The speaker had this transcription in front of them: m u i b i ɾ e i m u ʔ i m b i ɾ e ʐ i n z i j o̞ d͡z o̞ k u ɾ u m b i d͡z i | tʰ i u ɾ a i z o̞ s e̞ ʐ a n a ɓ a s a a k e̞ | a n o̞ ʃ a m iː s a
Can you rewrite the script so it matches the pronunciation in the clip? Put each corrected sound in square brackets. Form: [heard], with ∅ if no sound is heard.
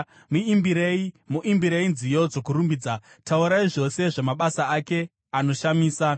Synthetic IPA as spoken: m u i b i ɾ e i m u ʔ i m b i ɾ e [∅] i n z i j o̞ d͡z o̞ k u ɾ u m b i d͡z [a] | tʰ [a] u ɾ a i [ʐ] o̞ s e̞ ʐ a [m] a ɓ a s a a k e̞ | a n o̞ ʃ a m iː s a